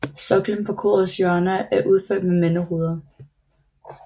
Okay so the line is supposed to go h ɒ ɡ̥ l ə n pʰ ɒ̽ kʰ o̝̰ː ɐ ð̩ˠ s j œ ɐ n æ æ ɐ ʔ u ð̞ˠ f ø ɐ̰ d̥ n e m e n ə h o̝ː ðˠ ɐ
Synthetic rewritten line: s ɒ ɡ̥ l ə n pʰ ɒ̽ kʰ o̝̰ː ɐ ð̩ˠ s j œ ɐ n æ æ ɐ ʔ u ð̞ˠ f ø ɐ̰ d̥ m e m e n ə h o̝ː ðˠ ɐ